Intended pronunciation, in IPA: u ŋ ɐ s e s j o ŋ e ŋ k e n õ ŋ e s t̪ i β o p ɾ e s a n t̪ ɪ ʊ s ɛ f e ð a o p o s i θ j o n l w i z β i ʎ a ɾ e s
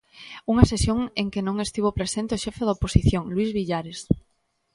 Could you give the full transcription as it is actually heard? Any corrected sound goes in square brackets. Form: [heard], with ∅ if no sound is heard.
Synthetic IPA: u ŋ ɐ s e s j o ŋ e ŋ k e n õ ŋ e s t̪ i β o p ɾ e s [e] n t̪ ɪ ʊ [ʃ] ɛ f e ð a o p o s i θ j o [ŋ] l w i z β i ʎ a ɾ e s